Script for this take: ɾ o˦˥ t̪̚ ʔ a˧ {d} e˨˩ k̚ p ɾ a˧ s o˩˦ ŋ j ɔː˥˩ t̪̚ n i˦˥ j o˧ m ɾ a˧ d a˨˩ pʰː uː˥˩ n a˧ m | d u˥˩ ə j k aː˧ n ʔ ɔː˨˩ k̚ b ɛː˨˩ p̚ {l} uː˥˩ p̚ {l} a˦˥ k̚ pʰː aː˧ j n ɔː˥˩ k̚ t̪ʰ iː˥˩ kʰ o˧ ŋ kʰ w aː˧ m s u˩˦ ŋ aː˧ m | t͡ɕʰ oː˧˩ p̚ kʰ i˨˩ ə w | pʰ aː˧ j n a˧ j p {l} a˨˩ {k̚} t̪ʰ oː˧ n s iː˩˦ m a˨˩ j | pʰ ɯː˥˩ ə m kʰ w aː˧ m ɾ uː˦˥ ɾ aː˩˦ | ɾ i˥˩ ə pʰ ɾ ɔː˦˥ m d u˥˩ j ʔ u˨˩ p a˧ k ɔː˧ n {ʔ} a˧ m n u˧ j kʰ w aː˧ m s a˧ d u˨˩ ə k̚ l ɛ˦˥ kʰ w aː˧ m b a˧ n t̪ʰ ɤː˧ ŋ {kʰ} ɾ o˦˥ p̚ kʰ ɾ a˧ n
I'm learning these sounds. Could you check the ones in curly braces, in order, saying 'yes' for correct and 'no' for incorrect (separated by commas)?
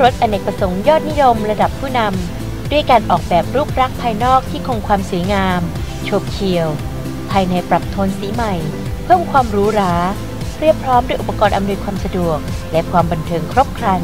no, no, no, no, no, yes, yes